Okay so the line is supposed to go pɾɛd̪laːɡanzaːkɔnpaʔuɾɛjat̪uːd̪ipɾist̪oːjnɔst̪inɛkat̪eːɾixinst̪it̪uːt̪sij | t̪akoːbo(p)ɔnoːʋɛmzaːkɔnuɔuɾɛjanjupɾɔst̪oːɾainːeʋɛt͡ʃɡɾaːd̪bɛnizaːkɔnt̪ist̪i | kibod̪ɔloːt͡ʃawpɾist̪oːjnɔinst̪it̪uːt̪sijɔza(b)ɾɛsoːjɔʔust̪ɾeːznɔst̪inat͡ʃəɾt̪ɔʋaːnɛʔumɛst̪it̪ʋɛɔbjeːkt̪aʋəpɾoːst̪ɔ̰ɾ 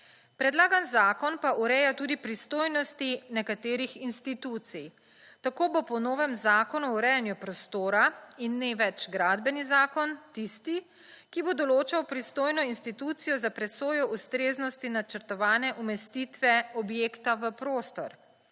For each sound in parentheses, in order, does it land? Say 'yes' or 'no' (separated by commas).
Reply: yes, no